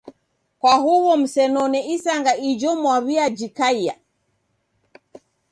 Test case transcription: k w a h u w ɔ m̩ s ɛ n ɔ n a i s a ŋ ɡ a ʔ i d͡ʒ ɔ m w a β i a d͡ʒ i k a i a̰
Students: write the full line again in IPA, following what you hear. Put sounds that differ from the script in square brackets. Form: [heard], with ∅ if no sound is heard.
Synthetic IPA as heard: k w a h u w ɔ m̩ s ɛ n ɔ n [ɛ] i s a ŋ ɡ a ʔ i d͡ʒ ɔ m w a β i a d͡ʒ i k a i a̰